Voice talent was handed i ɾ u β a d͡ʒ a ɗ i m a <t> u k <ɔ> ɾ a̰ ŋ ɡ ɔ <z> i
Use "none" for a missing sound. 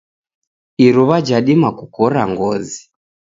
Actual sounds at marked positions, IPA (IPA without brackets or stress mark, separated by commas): k, ɔ, z